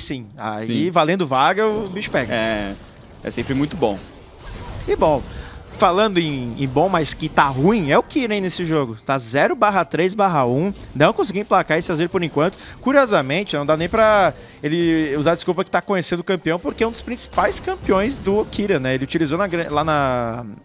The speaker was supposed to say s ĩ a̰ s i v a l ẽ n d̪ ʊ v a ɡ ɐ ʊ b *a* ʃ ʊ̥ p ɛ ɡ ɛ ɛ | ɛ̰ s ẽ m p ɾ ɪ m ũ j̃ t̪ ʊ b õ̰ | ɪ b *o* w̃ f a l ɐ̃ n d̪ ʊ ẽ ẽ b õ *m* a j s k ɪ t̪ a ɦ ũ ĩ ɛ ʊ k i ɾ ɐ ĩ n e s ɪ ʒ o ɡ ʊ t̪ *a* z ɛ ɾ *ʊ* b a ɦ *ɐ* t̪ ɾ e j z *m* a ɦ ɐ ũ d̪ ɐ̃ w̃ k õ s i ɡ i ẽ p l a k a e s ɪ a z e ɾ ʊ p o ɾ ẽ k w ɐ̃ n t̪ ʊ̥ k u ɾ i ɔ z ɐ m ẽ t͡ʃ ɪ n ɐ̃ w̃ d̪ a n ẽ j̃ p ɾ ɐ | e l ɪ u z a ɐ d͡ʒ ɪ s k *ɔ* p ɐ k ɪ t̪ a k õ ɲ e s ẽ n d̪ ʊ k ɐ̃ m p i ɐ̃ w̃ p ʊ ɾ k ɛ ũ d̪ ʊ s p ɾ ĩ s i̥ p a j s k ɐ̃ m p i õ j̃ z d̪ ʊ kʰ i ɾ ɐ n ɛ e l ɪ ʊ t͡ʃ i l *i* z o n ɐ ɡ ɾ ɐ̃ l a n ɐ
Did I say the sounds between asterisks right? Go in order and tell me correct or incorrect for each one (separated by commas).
incorrect, incorrect, correct, correct, correct, correct, incorrect, incorrect, correct